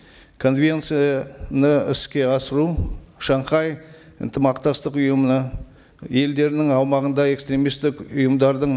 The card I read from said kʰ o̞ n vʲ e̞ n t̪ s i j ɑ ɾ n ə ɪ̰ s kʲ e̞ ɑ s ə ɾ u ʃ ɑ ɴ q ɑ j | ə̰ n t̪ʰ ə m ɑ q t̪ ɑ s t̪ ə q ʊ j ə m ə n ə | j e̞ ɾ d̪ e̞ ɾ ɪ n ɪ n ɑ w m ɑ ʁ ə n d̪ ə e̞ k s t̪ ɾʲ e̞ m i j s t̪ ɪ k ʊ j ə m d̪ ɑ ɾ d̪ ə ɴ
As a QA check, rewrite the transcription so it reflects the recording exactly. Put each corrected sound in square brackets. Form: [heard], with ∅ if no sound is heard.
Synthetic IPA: kʰ o̞ n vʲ e̞ n t̪ s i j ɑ [∅] n ə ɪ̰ s kʲ e̞ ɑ s ə ɾ u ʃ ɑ ɴ q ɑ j | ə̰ n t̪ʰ ə m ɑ q t̪ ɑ s t̪ ə q ʊ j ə m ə n ə | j e̞ [l] d̪ e̞ ɾ ɪ n ɪ [ŋ] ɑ w m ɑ ʁ ə n d̪ [ɑ] e̞ k s t̪ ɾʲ e̞ m i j s t̪ ɪ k ʊ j ə m d̪ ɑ ɾ d̪ ə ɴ